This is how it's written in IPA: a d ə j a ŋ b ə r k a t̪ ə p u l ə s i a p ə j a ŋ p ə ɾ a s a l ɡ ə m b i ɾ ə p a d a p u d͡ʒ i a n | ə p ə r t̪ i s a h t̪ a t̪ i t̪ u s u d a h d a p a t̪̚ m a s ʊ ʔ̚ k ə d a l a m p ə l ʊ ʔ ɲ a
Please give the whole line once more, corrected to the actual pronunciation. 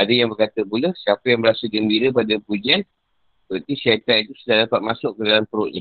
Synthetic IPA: a d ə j a ŋ b ə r k a t̪ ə p u l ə s i a p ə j a ŋ b ə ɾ a s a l ɡ ə m b i ɾ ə p a d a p u d͡ʒ i a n | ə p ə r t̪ i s a t̪ a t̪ i t̪ u s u d a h d a p a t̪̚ m a s ʊ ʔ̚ k ə d a l a m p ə ɾ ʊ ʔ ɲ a